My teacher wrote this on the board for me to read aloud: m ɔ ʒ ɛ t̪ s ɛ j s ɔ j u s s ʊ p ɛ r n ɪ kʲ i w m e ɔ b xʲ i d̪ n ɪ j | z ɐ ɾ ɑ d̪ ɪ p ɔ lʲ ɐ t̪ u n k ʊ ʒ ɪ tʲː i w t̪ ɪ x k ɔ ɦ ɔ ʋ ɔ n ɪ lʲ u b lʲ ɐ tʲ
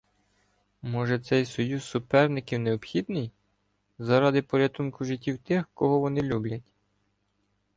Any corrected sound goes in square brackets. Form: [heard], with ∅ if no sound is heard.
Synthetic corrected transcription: m ɔ ʒ ɛ t̪ s ɛ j s ɔ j u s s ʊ p ɛ r n ɪ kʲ i w [n] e ɔ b xʲ i d̪ n ɪ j | z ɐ ɾ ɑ d̪ ɪ p ɔ [ɾʲ] ɐ t̪ u n k ʊ ʒ ɪ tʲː i w t̪ ɪ x k ɔ ɦ ɔ ʋ ɔ n ɪ lʲ u b lʲ ɐ tʲ

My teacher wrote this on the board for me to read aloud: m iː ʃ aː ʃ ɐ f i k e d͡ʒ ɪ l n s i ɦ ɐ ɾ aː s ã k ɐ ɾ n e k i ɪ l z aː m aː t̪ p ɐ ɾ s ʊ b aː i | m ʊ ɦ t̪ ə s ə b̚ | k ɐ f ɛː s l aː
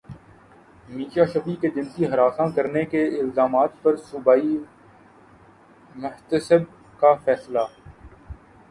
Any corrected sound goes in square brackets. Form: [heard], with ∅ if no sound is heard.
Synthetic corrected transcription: m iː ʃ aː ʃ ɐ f i k e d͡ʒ ɪ [∅] n s i ɦ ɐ ɾ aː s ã k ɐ ɾ n e k [e] ɪ l z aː m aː t̪ p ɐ ɾ s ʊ b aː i | m ʊ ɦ t̪ ə s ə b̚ | k [a] f ɛː s l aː

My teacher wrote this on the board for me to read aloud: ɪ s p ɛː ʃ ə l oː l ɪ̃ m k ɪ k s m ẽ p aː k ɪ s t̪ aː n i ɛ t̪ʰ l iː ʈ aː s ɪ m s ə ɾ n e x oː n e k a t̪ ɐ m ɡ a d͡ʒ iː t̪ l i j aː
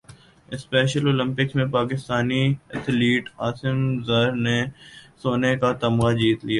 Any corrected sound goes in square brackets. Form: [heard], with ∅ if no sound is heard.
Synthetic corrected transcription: ɪ s p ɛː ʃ ə l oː l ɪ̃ m [p] ɪ k s m ẽ p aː k ɪ s t̪ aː n i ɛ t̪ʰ l iː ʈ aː s ɪ m [z] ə ɾ n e [s] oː n e k a t̪ ɐ m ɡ a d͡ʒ iː t̪ l i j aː

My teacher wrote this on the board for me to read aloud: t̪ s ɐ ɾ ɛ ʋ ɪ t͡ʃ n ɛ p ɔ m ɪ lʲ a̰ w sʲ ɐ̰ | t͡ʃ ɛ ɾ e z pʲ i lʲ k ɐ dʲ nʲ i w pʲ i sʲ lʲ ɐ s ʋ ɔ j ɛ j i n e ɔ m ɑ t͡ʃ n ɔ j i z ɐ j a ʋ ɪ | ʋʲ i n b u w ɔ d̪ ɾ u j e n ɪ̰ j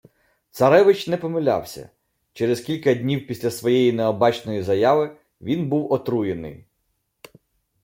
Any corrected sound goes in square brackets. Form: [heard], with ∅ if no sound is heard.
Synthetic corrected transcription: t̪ s ɐ ɾ ɛ ʋ ɪ t͡ʃ n ɛ p ɔ m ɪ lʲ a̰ w sʲ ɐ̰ | t͡ʃ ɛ ɾ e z [kʲ] i lʲ k ɐ dʲ nʲ i w pʲ i sʲ lʲ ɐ s ʋ ɔ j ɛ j i n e ɔ [b] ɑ t͡ʃ n ɔ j i z ɐ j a ʋ ɪ | ʋʲ i n b u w ɔ [t̪] ɾ u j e n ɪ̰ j

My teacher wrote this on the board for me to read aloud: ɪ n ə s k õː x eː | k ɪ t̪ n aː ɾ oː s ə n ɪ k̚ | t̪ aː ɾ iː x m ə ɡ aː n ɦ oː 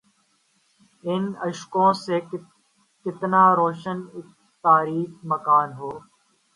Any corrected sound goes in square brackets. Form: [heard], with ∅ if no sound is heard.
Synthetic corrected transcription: ɪ n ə [ʃ] k õː [s] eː | k ɪ t̪ n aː ɾ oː [ʃ] ə n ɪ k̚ | t̪ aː ɾ iː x m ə [k] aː n ɦ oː

